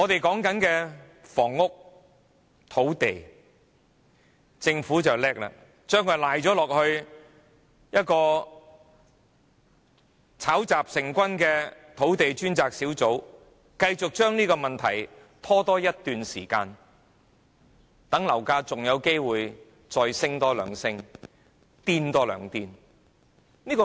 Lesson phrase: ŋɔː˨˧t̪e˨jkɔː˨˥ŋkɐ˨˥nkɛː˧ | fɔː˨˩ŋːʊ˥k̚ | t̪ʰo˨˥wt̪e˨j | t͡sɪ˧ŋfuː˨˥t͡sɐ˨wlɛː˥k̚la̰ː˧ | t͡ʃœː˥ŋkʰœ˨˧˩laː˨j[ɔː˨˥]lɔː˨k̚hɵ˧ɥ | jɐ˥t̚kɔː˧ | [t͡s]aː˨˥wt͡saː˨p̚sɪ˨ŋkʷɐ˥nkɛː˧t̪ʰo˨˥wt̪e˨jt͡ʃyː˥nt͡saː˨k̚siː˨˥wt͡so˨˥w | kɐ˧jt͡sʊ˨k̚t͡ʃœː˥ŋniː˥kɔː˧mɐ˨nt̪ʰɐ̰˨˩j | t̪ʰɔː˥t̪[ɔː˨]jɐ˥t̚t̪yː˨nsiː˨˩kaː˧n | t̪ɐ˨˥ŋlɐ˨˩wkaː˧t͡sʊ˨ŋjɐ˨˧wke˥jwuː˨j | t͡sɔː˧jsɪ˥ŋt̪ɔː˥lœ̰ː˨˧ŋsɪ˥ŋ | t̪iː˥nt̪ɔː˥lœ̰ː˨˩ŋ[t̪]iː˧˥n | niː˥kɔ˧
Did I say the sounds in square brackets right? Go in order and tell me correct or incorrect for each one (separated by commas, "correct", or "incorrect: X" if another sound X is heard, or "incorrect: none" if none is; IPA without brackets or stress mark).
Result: correct, incorrect: t͡sʰ, incorrect: ɔː˥, correct